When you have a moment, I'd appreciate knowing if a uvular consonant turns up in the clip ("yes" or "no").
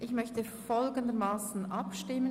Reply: no